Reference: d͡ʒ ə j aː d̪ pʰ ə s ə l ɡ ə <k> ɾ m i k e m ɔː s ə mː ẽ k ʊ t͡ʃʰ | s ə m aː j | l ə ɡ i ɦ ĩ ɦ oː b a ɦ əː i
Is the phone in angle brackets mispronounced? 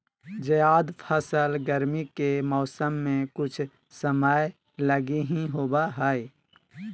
yes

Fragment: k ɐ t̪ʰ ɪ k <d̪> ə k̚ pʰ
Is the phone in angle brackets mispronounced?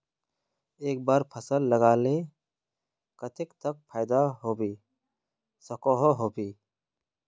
yes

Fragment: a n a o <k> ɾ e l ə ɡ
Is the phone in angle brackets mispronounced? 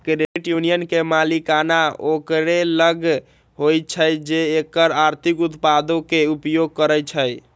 no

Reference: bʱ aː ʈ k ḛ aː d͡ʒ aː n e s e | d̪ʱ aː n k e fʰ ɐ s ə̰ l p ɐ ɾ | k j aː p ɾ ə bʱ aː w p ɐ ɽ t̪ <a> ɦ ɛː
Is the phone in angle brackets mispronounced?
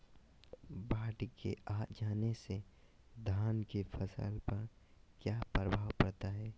no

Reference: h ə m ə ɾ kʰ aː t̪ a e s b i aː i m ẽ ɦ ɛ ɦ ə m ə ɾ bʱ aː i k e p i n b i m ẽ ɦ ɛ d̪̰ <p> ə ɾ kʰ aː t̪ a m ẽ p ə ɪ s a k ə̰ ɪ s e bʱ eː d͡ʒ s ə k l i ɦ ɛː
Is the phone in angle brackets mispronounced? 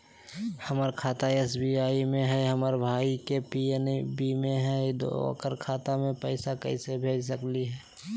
yes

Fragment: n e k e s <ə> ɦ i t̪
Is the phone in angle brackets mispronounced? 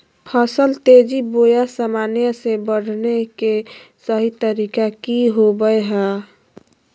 no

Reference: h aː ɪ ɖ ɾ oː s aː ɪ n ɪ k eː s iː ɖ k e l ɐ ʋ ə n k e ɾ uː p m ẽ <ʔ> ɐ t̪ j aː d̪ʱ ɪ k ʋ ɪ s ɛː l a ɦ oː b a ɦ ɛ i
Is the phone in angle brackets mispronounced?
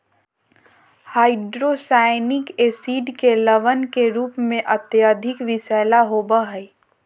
no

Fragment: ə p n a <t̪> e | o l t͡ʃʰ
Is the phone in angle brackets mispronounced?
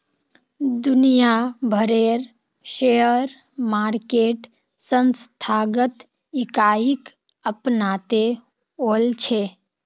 no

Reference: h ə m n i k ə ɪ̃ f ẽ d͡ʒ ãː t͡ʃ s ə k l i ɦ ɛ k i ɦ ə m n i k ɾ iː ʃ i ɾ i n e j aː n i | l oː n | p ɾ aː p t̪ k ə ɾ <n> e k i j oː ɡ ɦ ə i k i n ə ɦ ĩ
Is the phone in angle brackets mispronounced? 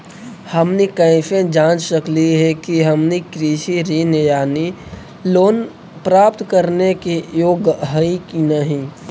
no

